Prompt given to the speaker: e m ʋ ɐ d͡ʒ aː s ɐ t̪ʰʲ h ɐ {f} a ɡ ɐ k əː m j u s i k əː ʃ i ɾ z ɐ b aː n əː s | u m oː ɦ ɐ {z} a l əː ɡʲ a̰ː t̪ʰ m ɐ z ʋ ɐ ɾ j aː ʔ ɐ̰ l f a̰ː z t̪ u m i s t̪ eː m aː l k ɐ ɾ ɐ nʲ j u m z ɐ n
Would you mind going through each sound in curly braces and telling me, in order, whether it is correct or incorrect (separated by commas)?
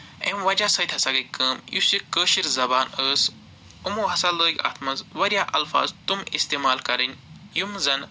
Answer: incorrect, incorrect